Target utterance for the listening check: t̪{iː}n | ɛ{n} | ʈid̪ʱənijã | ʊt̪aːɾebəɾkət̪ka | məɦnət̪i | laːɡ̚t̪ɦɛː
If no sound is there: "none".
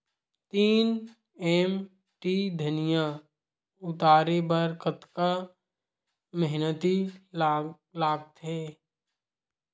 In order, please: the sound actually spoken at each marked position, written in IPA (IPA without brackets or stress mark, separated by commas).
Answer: iː, m